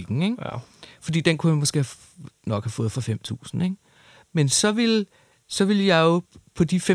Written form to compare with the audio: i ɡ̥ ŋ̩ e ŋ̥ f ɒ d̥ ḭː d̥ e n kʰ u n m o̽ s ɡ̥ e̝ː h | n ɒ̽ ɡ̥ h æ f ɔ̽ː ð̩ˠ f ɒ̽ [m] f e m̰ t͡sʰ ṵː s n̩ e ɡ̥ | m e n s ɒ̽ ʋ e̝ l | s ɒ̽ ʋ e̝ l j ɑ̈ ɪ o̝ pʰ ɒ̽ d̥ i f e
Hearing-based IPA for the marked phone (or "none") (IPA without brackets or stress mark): none